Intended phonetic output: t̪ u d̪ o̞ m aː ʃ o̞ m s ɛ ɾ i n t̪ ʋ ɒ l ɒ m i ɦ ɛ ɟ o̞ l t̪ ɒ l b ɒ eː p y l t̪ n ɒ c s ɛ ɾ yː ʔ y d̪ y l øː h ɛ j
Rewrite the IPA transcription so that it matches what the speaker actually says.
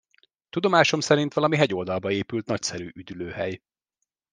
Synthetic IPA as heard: t̪ u d̪ o̞ m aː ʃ o̞ m s ɛ ɾ i n t̪ ʋ ɒ l ɒ m i ɦ ɛ ɟ o̞ l d̪ ɒ l b ɒ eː p y l t̪ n ɒ c s ɛ ɾ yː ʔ y d̪ y l øː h ɛ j